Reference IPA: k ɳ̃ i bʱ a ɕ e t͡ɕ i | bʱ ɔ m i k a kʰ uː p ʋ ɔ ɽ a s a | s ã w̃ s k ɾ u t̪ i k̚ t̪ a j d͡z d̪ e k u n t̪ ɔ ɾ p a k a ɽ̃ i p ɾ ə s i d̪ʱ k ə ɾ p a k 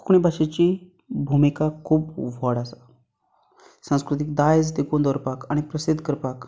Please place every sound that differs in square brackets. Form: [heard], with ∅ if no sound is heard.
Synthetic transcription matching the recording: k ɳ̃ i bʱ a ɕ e t͡ɕ i | bʱ [u] m i k a kʰ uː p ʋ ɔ ɽ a s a | s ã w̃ s k ɾ u t̪ i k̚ [d̪] a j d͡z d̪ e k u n [d̪] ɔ ɾ p a k a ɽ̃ i p ɾ ə s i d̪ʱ k ə ɾ p a k